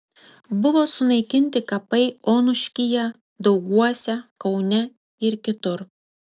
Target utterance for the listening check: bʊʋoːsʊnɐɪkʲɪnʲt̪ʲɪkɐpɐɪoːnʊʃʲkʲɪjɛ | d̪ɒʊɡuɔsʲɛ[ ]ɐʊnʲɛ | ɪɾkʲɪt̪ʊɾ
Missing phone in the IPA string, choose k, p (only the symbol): k